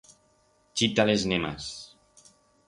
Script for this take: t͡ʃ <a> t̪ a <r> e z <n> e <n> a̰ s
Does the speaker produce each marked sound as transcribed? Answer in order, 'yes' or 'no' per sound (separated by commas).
no, no, yes, no